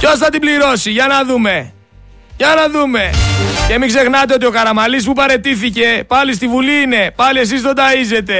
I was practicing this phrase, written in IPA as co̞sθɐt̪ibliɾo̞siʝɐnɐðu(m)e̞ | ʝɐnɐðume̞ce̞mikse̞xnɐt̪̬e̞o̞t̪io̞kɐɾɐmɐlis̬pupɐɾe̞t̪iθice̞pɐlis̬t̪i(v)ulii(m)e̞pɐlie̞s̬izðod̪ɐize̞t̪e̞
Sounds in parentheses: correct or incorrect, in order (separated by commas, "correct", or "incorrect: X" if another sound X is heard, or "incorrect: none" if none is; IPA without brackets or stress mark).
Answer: correct, correct, incorrect: n